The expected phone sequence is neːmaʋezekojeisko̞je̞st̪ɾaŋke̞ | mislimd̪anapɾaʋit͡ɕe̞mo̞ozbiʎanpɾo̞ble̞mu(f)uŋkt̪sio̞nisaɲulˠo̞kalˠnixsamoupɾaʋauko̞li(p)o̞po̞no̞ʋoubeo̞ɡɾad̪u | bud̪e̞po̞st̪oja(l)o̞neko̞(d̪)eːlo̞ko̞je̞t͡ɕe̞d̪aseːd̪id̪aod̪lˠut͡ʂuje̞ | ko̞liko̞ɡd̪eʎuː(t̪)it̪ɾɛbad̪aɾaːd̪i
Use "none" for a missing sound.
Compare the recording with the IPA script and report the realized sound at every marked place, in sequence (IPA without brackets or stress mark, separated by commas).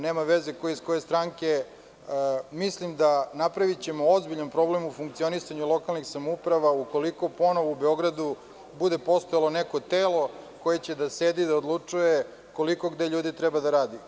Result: f, k, l, t̪, d̪